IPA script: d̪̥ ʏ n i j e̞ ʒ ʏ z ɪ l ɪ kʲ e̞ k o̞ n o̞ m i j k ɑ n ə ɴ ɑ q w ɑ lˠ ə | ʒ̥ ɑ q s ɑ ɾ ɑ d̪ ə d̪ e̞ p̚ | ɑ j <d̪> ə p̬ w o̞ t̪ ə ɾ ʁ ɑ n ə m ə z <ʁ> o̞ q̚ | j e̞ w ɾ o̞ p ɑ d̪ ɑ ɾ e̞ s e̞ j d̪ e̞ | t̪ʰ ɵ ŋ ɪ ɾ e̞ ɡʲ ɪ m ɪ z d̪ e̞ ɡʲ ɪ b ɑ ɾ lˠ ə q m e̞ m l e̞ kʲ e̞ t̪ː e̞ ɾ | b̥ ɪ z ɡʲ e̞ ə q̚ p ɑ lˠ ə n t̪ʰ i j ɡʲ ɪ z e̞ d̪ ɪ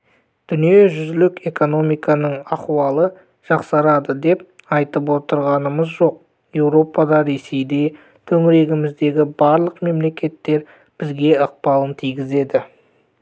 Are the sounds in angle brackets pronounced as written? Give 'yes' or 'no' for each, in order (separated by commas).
no, no